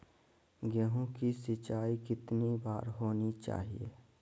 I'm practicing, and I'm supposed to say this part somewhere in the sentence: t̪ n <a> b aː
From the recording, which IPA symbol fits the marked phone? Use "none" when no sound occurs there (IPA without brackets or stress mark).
i